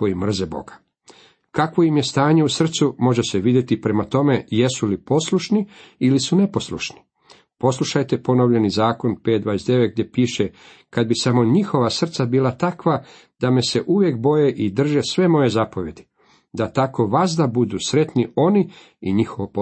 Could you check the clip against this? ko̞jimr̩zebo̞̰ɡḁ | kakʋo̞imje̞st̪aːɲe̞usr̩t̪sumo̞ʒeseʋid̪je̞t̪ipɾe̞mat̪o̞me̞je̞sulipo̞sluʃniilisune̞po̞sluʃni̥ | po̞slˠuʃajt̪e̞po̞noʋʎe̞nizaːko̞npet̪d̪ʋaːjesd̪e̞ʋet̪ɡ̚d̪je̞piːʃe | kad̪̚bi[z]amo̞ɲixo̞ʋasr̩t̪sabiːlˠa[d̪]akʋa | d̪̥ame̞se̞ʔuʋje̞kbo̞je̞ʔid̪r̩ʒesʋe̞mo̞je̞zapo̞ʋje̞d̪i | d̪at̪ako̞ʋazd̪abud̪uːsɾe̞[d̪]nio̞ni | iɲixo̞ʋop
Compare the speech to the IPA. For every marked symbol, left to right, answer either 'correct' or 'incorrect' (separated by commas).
incorrect, incorrect, incorrect